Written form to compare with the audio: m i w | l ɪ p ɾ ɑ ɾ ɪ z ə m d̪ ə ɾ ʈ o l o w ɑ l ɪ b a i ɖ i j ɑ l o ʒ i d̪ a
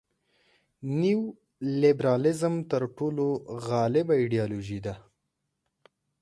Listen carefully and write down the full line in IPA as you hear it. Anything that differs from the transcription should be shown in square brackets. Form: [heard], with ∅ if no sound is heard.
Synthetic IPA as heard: [n] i w | l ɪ [b] ɾ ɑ [l] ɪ z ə m [t̪] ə ɾ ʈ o l o [ɣ] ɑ l ɪ b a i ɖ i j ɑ l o ʒ i d̪ a